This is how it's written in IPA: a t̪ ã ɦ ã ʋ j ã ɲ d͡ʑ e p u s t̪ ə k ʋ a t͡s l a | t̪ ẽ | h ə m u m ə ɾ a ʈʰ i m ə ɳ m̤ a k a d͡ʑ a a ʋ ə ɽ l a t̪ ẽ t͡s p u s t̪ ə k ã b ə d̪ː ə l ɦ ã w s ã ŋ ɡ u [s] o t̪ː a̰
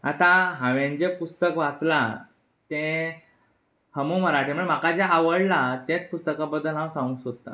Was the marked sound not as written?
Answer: no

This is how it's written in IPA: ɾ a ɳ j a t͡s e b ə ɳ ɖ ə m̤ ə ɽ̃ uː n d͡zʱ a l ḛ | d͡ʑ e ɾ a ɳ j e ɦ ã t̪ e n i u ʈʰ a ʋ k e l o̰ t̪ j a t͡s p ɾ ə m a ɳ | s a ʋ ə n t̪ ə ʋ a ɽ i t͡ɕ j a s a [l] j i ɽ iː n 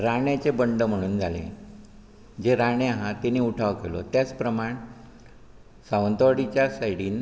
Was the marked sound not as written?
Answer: yes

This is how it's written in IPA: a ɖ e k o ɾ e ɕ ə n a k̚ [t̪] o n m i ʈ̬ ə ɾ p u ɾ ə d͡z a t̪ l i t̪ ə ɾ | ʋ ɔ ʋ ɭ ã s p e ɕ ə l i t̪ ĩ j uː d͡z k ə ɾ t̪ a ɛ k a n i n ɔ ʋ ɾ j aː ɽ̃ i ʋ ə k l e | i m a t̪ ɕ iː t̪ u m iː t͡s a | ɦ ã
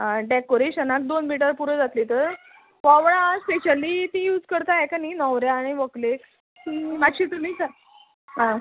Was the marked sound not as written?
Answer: yes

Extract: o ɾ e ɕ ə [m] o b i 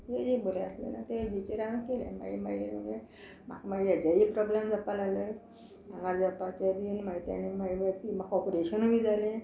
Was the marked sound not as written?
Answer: yes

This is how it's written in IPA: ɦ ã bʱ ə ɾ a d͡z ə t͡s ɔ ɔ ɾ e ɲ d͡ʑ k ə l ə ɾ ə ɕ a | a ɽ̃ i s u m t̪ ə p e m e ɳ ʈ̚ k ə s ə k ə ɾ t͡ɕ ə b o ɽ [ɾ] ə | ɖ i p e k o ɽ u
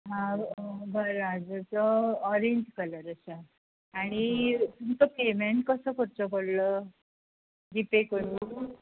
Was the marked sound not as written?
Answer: yes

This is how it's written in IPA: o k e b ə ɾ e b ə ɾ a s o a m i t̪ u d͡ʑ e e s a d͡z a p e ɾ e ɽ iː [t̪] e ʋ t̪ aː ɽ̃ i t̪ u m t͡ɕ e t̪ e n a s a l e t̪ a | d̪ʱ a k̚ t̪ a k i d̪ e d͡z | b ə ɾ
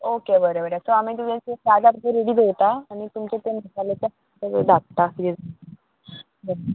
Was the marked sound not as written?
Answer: yes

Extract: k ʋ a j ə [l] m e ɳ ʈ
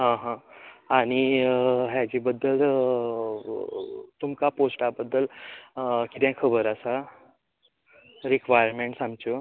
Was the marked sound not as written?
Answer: yes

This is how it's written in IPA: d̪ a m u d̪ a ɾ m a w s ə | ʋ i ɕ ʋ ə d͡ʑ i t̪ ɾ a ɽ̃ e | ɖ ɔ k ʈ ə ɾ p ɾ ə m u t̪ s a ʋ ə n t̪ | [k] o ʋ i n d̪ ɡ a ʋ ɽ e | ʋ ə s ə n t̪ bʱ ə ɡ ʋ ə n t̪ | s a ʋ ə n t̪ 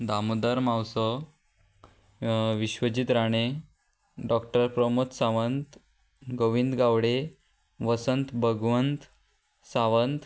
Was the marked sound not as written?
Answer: yes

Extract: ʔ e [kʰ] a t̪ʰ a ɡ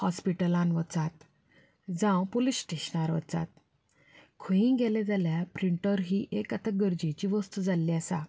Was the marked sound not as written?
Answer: yes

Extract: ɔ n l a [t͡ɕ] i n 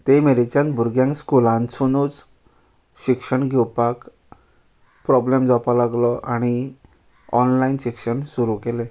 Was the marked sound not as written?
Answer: yes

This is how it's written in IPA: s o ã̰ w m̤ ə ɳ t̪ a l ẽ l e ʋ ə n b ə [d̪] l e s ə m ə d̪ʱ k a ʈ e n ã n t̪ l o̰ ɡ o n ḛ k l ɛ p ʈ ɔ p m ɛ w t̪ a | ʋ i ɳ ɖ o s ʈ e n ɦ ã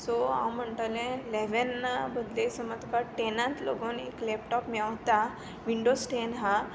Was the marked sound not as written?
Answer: no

